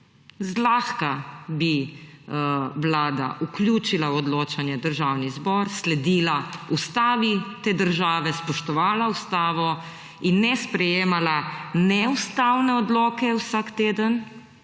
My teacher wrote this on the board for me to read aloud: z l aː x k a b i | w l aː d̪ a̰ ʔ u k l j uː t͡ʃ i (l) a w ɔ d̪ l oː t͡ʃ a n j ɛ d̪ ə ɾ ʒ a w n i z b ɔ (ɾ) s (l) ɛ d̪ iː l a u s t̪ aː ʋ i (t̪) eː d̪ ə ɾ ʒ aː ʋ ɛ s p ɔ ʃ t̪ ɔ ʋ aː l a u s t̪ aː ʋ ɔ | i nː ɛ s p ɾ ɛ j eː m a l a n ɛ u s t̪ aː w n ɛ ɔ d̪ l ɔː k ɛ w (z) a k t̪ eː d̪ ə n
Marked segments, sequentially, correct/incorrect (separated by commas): correct, correct, correct, correct, incorrect